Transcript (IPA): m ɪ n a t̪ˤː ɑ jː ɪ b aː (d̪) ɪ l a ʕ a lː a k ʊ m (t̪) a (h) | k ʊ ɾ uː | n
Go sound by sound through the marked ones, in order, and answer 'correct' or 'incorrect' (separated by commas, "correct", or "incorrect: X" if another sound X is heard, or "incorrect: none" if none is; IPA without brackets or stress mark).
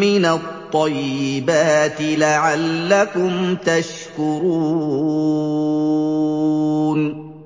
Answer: incorrect: t̪, correct, incorrect: ʃ